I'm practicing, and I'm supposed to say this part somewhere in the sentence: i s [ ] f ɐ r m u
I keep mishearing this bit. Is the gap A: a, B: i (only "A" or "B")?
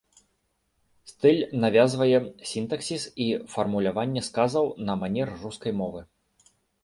B